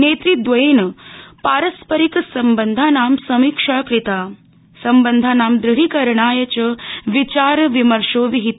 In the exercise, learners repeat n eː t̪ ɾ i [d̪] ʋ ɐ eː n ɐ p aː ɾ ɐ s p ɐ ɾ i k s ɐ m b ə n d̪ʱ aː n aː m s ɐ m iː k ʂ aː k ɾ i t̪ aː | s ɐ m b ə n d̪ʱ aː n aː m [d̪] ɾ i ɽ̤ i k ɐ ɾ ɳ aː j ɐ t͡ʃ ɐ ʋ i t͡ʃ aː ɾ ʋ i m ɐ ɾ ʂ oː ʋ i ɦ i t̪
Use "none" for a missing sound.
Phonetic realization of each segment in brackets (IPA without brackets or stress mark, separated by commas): d̪, d̪